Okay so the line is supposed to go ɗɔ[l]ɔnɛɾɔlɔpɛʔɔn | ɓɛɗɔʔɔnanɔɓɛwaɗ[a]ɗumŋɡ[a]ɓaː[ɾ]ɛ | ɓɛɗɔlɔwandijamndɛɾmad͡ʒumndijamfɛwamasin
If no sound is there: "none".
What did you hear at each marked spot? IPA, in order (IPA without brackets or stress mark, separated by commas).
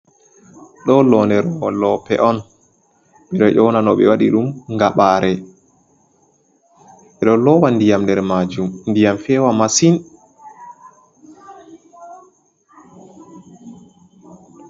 l, i, a, ɾ